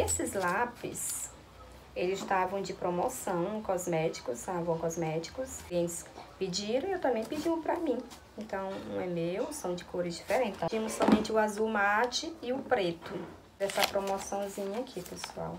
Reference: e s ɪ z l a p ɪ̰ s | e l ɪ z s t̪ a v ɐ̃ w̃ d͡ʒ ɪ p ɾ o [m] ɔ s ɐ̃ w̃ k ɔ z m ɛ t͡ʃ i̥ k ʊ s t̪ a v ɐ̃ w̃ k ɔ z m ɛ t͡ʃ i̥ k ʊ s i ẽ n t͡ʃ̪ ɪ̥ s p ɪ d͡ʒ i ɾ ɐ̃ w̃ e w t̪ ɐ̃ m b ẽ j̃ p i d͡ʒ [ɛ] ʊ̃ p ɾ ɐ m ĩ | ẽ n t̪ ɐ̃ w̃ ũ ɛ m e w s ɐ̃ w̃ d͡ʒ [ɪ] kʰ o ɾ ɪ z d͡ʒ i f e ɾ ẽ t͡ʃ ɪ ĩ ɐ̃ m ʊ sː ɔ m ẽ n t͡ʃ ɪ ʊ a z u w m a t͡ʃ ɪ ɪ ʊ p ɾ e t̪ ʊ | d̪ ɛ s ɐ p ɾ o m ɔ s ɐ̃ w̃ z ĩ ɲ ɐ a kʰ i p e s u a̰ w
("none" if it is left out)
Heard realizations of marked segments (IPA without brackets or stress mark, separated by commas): m, i, ɪ